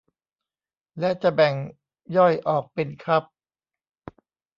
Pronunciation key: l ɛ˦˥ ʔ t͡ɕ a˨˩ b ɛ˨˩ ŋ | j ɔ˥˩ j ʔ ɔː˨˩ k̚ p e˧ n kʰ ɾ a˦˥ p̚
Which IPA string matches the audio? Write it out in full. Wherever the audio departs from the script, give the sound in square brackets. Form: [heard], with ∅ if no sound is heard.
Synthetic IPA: l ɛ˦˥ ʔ t͡ɕ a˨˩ b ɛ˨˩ ŋ | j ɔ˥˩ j ʔ ɔː˨˩ k̚ p e˧ n kʰ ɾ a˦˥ p̚